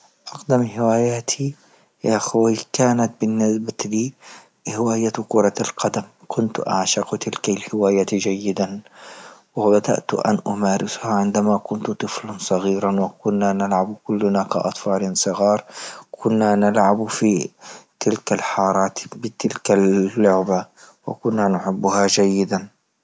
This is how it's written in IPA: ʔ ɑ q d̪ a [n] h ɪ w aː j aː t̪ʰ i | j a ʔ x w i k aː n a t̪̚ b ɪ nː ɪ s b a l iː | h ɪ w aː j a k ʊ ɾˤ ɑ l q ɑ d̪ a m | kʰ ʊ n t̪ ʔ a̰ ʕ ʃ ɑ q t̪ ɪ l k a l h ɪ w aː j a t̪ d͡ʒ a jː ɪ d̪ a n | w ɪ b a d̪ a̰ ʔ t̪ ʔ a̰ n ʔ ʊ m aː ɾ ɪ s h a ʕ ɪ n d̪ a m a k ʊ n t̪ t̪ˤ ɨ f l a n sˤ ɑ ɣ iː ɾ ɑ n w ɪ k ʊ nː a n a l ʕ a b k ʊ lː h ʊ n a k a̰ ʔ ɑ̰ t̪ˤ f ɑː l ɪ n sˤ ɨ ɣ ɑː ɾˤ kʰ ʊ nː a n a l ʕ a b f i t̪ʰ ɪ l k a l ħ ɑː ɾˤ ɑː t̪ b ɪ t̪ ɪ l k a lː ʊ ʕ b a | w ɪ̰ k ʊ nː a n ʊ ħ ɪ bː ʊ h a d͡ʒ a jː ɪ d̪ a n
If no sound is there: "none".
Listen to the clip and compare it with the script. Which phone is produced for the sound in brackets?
m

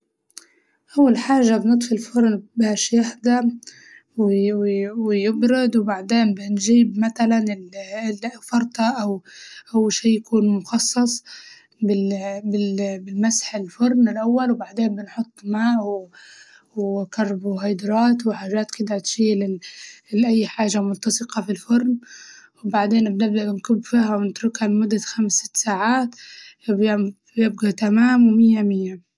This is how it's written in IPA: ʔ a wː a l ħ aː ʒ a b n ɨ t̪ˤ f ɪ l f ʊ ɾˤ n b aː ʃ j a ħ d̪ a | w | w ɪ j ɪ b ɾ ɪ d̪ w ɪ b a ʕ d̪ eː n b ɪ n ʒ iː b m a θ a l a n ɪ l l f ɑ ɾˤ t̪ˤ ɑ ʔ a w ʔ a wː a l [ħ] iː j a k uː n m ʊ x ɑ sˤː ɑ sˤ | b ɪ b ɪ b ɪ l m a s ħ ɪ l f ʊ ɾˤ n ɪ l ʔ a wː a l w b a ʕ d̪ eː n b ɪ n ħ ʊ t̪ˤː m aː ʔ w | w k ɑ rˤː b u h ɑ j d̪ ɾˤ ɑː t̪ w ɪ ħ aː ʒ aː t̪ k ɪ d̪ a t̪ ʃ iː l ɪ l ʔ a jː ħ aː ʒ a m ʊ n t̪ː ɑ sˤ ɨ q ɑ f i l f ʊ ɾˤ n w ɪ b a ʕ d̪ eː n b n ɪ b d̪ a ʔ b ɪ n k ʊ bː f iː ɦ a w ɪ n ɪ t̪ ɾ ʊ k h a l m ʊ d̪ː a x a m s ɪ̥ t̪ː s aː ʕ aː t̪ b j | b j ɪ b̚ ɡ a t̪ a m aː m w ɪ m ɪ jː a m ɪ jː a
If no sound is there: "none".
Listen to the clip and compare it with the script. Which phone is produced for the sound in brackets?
ʃ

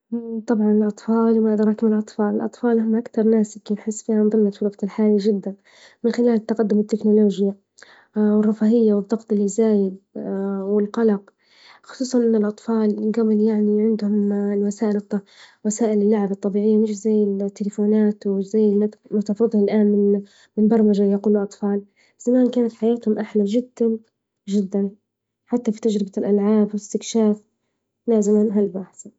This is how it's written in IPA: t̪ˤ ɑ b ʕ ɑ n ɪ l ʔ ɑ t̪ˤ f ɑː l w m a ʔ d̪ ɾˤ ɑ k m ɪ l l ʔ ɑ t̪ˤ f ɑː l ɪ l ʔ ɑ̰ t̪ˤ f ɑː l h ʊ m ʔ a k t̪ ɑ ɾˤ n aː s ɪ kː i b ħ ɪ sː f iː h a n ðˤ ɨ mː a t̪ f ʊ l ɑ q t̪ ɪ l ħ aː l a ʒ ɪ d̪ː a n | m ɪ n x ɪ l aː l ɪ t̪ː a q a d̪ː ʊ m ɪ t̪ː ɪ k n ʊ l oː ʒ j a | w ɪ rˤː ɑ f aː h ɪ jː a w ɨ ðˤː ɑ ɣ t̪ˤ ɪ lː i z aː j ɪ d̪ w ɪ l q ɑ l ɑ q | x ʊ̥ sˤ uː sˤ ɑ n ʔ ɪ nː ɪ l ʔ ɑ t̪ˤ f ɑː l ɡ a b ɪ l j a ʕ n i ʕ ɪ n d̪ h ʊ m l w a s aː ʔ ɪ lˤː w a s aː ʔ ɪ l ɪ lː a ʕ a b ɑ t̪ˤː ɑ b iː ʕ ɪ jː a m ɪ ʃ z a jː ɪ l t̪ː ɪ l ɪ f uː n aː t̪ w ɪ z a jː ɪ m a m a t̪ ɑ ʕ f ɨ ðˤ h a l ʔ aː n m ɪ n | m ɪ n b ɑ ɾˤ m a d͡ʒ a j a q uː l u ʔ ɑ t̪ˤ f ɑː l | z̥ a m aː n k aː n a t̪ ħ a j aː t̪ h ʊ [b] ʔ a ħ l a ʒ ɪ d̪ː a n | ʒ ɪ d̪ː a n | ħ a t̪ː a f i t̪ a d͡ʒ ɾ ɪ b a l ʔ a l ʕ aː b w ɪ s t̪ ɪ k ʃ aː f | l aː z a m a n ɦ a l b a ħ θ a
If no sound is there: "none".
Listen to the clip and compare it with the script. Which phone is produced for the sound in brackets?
m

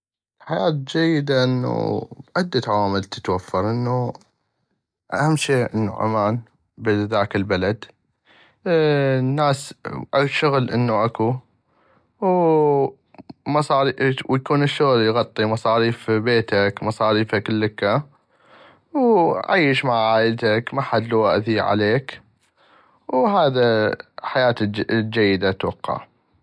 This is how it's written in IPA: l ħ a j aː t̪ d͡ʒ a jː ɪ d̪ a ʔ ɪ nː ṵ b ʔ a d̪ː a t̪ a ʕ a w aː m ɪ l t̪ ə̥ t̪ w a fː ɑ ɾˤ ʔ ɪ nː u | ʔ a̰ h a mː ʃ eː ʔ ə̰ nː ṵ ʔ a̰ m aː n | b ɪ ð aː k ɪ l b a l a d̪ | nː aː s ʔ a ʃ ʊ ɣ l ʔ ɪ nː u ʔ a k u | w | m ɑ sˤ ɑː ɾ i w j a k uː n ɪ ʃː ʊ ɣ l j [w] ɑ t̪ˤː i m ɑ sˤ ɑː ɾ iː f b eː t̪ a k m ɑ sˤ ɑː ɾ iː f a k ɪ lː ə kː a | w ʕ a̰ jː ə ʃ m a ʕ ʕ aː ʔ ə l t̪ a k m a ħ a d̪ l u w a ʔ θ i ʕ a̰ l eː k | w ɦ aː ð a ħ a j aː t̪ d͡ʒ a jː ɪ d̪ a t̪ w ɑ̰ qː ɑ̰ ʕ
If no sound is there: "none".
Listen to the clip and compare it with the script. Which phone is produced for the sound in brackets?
ɣ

